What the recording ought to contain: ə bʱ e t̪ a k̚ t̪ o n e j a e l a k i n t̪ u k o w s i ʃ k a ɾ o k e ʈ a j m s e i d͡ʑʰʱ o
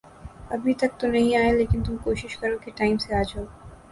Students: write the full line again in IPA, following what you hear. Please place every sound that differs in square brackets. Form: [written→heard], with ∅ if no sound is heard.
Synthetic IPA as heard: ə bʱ [e→i] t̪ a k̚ t̪ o n e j a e l [a→e] k i n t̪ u k o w [s→ʃ] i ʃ k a ɾ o k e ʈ a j m s e [i→a] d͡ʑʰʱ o